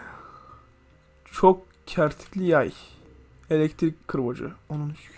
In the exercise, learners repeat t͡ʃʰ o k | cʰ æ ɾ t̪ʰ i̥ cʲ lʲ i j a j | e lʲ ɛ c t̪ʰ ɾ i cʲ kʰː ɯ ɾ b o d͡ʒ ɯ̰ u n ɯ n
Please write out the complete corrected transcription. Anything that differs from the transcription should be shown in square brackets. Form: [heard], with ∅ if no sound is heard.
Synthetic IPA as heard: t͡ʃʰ o k | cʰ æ ɾ t̪ʰ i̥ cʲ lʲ i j a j | e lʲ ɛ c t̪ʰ ɾ i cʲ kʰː ɯ ɾ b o d͡ʒ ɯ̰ [o] n [u] n